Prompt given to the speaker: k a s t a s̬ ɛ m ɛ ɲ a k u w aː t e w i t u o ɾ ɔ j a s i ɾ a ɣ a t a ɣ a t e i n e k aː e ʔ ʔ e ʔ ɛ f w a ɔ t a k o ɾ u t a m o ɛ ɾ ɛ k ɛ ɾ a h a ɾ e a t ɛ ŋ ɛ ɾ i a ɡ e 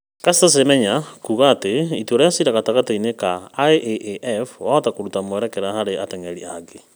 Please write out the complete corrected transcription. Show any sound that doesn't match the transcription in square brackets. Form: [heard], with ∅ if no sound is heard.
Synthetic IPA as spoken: k a s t a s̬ [e] m ɛ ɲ a k u [ɣ] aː t e [∅] i t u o ɾ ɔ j a s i ɾ a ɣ a t a ɣ a t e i n e k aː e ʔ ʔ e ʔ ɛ f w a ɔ t a k o ɾ u t a m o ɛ ɾ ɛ k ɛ ɾ a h a ɾ e a t ɛ ŋ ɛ ɾ i a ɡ e